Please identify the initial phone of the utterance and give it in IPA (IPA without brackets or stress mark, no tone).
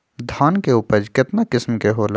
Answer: d̪ʱ